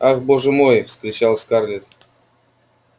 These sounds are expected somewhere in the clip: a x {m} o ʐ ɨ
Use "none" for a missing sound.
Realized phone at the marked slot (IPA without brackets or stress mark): b